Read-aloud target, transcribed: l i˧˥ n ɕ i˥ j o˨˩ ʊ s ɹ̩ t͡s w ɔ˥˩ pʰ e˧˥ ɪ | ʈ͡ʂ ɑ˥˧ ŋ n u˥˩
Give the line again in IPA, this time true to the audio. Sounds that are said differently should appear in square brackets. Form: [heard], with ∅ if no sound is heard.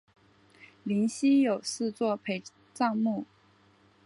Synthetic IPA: l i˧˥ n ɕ i˥ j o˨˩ ʊ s ɹ̩ t͡s w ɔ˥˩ pʰ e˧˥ ɪ | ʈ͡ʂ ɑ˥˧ ŋ [m] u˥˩